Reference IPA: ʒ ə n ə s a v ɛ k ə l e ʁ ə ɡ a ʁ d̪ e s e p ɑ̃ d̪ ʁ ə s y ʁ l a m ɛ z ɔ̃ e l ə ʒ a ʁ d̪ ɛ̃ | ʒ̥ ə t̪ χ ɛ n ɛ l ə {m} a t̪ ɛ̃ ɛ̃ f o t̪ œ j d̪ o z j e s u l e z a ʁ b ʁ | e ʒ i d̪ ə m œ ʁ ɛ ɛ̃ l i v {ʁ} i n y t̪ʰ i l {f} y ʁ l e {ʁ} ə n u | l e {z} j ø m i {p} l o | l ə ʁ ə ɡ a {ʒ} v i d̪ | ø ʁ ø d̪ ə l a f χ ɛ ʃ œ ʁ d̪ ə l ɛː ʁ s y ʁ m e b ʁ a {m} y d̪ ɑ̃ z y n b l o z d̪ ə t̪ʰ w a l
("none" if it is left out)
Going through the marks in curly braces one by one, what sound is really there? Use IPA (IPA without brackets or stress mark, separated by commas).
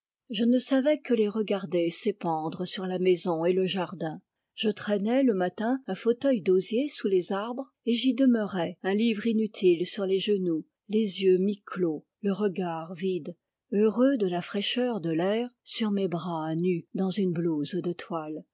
m, ʁ, s, ʒ, z, k, ʁ, n